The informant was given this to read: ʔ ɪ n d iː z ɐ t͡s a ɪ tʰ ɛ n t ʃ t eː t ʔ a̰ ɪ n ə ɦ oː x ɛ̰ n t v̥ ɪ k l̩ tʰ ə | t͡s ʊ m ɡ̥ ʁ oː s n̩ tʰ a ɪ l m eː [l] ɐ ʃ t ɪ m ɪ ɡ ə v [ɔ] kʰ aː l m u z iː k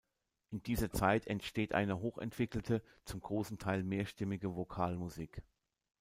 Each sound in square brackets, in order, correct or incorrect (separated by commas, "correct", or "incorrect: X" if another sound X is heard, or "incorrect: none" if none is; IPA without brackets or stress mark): incorrect: none, incorrect: o